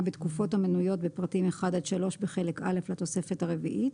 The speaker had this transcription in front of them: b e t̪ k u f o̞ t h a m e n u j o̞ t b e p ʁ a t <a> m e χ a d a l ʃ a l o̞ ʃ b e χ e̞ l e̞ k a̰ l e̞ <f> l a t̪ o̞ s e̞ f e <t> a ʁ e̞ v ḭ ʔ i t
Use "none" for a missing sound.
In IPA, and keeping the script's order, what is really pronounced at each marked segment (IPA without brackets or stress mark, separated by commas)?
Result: i, f, t